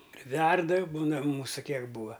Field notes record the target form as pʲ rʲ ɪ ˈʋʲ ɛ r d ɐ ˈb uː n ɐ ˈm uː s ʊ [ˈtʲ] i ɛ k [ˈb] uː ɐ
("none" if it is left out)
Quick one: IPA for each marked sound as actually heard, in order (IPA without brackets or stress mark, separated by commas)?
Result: kʲ, b